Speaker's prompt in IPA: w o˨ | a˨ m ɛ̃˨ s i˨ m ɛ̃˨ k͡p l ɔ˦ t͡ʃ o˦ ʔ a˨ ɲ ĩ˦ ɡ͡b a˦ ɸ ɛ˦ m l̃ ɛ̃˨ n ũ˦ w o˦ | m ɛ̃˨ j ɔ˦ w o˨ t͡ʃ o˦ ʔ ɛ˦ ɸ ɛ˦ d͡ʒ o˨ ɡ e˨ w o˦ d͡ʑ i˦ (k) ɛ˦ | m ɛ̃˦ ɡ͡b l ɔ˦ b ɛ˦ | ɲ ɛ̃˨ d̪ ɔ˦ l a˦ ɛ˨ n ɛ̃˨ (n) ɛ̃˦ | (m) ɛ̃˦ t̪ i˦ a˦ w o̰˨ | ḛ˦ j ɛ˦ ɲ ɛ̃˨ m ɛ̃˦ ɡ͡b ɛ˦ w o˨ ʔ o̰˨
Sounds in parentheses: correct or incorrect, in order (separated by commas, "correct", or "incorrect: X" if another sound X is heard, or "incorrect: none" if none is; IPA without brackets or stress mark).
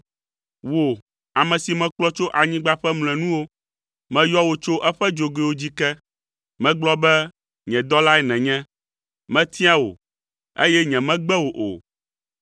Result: correct, incorrect: ɲ, correct